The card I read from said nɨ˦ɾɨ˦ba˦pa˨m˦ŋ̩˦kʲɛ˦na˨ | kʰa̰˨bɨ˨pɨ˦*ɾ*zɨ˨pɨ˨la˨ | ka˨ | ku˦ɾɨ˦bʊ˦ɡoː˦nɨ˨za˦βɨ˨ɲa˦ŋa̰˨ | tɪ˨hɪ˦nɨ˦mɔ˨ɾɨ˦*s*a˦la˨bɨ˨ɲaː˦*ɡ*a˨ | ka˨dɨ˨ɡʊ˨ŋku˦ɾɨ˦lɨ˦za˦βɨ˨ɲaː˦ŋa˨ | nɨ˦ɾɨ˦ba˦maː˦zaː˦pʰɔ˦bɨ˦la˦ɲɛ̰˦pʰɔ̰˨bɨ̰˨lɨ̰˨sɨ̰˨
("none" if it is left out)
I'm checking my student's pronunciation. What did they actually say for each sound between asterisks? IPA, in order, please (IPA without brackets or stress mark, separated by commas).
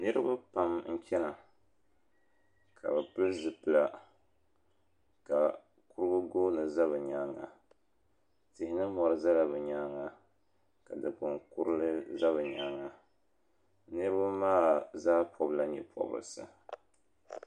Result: l, z, ŋ